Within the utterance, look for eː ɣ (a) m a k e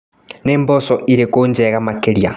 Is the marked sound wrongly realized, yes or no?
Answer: no